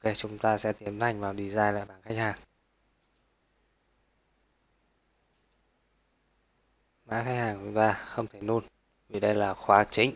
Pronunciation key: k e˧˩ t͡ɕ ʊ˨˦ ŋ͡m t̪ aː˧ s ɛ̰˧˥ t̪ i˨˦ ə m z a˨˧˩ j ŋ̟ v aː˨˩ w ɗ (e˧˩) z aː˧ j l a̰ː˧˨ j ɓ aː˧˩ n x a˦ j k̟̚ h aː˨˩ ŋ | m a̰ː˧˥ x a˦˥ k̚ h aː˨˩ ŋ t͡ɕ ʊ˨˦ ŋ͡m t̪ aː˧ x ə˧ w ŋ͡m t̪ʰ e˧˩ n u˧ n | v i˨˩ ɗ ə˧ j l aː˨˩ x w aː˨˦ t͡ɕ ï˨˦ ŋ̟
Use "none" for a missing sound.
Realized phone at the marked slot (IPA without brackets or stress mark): i˧˩